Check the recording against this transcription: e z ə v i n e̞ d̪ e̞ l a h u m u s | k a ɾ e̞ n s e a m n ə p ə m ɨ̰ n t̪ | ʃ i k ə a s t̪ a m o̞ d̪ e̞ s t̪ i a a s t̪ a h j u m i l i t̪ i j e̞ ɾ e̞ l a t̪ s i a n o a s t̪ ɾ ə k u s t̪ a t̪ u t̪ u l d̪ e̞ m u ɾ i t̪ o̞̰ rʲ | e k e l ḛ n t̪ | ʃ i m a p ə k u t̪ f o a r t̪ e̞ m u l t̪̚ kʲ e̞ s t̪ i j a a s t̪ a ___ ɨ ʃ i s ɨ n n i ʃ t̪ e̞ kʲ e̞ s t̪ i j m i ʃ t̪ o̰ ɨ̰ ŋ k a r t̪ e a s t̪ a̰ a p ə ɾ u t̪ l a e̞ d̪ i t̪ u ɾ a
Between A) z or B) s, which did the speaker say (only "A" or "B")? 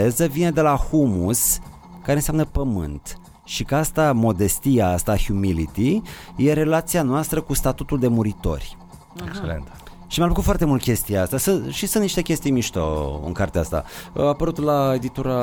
B